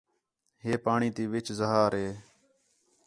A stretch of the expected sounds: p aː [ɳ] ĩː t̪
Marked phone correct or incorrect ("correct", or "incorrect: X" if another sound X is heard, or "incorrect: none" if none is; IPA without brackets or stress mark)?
correct